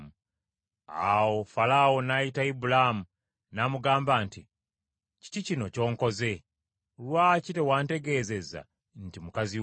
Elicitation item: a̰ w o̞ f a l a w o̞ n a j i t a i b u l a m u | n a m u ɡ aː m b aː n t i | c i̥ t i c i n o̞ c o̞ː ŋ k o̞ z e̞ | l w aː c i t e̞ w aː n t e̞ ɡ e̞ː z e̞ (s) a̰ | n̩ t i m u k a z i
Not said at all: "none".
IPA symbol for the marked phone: z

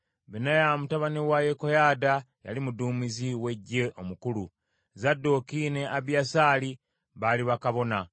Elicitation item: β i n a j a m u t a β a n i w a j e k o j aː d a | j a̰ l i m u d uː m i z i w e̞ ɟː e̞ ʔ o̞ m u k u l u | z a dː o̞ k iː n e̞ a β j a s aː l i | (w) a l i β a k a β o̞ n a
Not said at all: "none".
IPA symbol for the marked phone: β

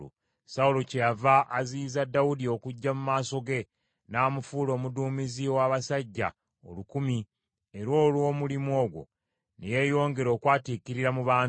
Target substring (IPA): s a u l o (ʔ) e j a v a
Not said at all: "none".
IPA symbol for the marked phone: c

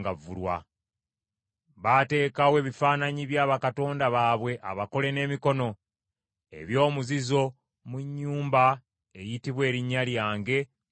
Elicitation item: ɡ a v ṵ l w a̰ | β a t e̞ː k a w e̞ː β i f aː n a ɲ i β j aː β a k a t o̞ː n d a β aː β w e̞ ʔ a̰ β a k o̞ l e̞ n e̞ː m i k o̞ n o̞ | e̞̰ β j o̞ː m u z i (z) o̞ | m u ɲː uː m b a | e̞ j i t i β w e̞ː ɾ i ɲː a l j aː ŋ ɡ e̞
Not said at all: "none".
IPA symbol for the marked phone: z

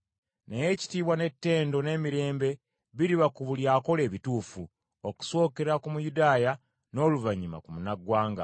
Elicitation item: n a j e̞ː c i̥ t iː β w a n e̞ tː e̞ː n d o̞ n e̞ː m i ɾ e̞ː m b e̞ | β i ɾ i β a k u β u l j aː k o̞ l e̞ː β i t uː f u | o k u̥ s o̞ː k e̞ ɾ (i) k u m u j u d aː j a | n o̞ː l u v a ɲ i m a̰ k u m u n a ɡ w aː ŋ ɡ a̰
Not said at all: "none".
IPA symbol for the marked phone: a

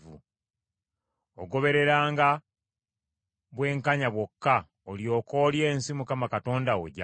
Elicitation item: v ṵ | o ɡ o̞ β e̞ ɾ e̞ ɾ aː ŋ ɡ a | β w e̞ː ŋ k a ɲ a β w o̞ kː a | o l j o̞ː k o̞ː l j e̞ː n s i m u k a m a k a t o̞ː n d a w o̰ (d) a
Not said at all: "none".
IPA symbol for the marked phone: ɟ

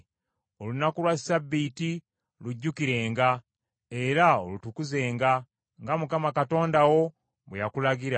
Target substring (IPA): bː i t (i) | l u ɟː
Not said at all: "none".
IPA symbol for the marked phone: i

